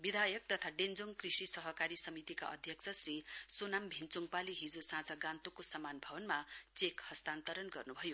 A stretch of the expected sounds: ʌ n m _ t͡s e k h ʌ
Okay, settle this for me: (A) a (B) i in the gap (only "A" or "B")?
A